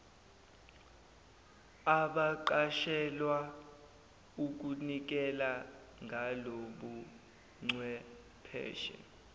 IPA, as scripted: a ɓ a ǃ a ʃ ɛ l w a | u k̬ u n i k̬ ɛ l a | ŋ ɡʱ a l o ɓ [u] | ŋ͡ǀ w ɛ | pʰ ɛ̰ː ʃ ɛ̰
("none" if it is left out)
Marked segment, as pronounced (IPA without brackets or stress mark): u